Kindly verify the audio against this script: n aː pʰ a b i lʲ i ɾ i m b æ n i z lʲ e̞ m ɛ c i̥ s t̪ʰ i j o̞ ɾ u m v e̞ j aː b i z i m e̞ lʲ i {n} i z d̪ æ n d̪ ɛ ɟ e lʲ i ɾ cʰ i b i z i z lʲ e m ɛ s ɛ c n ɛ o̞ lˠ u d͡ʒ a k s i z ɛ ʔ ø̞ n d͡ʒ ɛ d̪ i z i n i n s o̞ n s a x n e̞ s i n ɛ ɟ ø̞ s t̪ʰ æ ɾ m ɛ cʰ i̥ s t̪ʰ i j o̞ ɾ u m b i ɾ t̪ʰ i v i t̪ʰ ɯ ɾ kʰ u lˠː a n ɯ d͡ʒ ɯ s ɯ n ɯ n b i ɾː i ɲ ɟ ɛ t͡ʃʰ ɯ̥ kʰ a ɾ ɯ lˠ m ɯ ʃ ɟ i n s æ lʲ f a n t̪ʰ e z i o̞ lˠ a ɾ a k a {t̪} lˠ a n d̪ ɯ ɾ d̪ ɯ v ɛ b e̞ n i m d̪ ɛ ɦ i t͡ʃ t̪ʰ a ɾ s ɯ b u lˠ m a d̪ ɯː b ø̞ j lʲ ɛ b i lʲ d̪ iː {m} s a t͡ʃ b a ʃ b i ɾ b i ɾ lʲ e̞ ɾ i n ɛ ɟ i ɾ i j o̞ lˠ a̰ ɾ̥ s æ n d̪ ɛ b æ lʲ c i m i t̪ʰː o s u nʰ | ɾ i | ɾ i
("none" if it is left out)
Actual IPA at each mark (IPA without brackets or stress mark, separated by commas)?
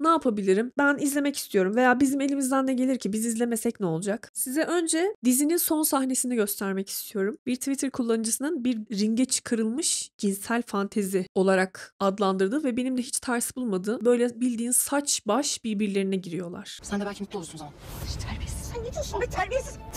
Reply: m, d̪, n